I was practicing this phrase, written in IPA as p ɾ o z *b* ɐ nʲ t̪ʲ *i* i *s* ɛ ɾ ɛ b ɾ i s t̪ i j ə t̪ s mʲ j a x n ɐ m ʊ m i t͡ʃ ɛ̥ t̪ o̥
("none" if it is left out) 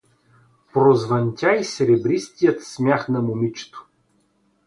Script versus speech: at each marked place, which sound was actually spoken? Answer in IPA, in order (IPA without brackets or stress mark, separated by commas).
v, a, s